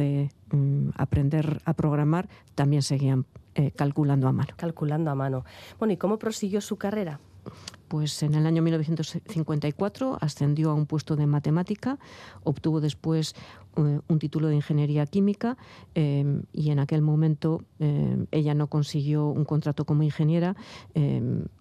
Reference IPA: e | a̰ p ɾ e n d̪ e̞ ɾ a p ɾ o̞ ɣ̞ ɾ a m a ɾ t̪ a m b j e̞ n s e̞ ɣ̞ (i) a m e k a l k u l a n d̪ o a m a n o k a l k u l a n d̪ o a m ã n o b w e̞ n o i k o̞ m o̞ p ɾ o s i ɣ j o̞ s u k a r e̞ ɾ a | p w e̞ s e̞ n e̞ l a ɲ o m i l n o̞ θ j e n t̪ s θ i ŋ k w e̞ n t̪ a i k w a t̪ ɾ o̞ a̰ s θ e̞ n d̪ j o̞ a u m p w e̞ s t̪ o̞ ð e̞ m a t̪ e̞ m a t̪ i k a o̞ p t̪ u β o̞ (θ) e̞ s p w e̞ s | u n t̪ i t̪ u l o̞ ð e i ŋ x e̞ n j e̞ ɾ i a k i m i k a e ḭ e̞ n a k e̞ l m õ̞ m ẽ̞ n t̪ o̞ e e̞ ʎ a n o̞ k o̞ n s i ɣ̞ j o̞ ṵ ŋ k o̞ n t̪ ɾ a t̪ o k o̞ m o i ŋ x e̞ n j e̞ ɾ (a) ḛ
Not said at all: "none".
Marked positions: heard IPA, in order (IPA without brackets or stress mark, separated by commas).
i, ð, a